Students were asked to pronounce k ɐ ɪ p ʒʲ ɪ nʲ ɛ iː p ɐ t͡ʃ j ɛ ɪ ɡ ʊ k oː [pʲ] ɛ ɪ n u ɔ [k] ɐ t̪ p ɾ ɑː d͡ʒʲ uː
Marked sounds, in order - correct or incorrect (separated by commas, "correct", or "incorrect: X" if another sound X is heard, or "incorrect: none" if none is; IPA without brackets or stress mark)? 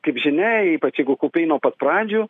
correct, incorrect: p